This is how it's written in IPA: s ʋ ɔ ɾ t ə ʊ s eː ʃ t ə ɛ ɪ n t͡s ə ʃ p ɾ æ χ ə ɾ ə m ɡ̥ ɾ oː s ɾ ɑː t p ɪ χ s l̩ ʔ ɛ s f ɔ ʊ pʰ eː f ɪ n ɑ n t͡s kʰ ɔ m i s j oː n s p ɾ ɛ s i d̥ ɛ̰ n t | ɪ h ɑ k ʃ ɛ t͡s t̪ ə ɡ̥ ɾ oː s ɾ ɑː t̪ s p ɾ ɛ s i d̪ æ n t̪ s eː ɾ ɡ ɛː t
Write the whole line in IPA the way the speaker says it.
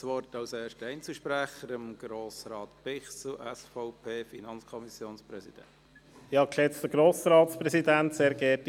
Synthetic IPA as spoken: s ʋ ɔ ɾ t ɑ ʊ s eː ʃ t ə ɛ ɪ n t͡s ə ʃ p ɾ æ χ ə ɾ ə m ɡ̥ ɾ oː s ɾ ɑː t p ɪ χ s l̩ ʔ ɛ s f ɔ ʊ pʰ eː f i n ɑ n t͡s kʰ ɔ m i s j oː n s p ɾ ɛ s i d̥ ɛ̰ n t | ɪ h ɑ k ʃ ɛ t͡s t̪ ə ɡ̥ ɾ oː s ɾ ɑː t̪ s p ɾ ɛ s i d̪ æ n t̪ s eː ɾ ɡ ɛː t